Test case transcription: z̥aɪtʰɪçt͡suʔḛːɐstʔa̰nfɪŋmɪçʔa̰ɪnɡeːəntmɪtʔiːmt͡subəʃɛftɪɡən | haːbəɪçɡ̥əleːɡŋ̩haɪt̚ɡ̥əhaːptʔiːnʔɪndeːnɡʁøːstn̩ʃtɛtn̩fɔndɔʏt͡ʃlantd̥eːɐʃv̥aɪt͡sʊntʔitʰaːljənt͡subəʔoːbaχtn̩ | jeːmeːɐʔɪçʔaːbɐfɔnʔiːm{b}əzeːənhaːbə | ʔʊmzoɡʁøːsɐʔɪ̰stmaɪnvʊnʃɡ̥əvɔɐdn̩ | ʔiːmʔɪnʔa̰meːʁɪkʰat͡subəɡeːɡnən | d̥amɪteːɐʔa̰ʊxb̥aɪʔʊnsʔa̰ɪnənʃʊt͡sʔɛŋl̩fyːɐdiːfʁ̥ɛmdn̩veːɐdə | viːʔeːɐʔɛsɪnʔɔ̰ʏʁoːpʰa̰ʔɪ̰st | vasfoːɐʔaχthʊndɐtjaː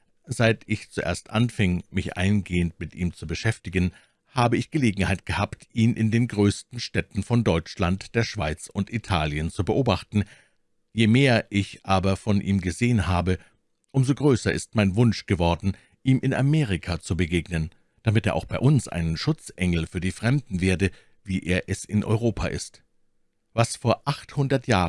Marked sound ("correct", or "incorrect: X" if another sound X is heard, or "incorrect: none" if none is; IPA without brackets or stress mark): incorrect: ɡ